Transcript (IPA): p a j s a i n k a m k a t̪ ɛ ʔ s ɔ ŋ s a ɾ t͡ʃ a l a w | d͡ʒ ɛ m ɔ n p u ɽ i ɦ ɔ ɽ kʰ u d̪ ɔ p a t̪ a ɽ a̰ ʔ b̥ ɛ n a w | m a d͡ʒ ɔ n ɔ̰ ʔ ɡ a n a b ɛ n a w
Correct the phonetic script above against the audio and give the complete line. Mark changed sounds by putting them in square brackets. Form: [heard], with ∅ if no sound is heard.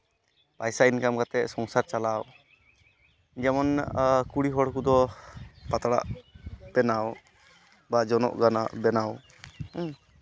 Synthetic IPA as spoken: p a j s a i n k a m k a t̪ ɛ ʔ s ɔ ŋ s a ɾ t͡ʃ a l a w | d͡ʒ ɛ m ɔ n [k] u ɽ i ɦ ɔ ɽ [k] u d̪ ɔ p a t̪ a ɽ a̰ ʔ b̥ ɛ n a w | [b] a d͡ʒ ɔ n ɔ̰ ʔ ɡ a n a b ɛ n a w